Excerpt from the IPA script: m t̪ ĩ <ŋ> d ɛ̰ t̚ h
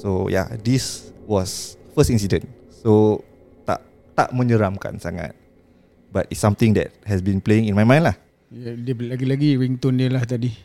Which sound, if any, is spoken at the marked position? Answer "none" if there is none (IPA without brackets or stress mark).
ŋ